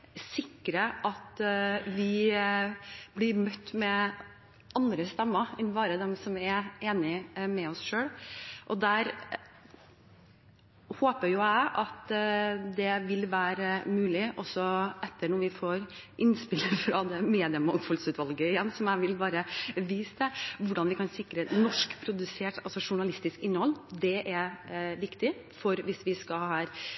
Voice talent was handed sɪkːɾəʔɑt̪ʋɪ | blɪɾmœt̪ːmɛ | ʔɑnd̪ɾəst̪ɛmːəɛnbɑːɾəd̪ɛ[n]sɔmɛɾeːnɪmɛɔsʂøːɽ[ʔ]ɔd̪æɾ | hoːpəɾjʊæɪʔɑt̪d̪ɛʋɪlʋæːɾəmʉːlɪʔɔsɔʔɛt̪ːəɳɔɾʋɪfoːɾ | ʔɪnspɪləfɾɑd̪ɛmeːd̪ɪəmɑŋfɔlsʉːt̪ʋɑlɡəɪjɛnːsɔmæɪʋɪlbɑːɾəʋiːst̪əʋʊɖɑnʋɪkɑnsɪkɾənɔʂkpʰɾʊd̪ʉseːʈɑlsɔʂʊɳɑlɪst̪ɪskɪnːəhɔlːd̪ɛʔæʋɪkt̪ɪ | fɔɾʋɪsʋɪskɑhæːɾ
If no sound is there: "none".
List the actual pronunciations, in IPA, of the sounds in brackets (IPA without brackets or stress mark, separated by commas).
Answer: m, ʔ